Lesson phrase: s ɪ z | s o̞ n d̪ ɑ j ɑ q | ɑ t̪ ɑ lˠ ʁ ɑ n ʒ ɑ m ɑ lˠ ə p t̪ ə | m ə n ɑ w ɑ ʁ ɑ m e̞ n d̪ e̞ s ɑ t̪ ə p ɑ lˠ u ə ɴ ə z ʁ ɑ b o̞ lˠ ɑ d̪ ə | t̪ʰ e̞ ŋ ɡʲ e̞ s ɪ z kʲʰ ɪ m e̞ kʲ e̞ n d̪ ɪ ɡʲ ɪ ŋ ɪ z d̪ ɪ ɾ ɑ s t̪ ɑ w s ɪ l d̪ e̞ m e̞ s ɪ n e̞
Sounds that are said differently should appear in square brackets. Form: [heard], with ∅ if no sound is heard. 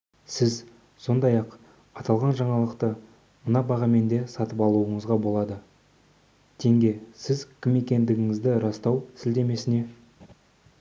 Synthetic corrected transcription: s ɪ z | s o̞ n d̪ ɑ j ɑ q | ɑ t̪ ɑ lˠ ʁ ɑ n ʒ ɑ [ɴ] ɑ lˠ ə [q] t̪ ə | m ə n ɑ [b] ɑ ʁ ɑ m e̞ n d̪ e̞ s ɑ t̪ ə p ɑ lˠ u ə ɴ ə z ʁ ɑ b o̞ lˠ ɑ d̪ ə | t̪ʰ e̞ ŋ ɡʲ e̞ s ɪ z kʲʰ ɪ m e̞ kʲ e̞ n d̪ ɪ ɡʲ ɪ ŋ ɪ z d̪ ɪ ɾ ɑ s t̪ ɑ w s ɪ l d̪ e̞ m e̞ s ɪ n e̞